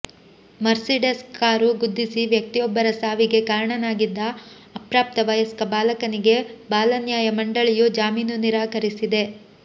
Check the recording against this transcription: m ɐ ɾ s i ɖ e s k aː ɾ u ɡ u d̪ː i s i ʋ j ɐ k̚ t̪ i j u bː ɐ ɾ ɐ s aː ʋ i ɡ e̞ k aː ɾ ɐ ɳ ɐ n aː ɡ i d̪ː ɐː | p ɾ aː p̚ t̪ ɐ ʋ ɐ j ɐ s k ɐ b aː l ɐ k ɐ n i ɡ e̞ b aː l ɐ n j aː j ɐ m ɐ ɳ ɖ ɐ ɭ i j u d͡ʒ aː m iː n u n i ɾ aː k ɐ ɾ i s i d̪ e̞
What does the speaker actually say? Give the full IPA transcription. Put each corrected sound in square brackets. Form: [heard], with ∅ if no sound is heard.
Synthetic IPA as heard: m ɐ ɾ s i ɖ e s k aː ɾ u ɡ u d̪ː i s i ʋ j ɐ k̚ t̪ i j [ɔ] bː ɐ ɾ ɐ s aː ʋ i ɡ e̞ k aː ɾ ɐ ɳ ɐ n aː ɡ i d̪ː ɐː | p ɾ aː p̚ t̪ ɐ ʋ ɐ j ɐ s k ɐ b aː l ɐ k ɐ n i ɡ e̞ b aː l ɐ n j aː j ɐ m ɐ ɳ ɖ ɐ ɭ i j u d͡ʒ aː m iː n u n i ɾ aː k ɐ ɾ i s i d̪ e̞